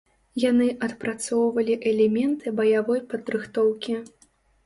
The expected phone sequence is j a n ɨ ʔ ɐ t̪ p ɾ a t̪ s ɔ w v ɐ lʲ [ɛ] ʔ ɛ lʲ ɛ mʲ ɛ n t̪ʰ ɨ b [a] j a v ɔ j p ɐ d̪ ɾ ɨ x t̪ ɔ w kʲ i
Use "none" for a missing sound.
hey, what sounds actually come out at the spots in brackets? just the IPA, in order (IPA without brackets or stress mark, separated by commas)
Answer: i, ɐ